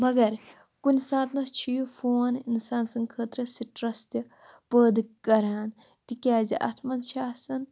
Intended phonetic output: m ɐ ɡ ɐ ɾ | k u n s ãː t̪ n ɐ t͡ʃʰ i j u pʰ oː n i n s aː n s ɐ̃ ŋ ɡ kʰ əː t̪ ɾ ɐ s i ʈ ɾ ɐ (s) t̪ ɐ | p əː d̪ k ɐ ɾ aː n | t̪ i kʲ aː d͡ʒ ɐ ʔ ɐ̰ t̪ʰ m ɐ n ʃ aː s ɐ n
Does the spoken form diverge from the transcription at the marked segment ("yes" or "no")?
no